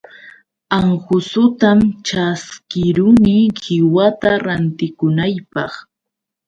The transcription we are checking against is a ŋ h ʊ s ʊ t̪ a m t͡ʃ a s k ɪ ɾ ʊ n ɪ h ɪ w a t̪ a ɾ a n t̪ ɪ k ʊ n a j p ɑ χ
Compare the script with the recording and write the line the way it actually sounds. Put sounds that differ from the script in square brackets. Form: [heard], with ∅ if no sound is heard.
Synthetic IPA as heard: a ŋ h ʊ s ʊ t̪ a m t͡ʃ a s k ɪ ɾ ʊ n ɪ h ɪ w a t̪ a ɾ a n t̪ ɪ k ʊ n a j p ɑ χ